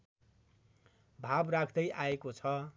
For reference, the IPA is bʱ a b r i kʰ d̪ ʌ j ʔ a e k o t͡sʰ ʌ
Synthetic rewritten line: bʱ a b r a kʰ d̪ ʌ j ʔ a e k o t͡sʰ ʌ